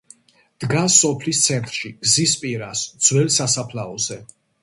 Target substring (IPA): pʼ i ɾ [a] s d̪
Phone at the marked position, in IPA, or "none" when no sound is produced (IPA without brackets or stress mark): a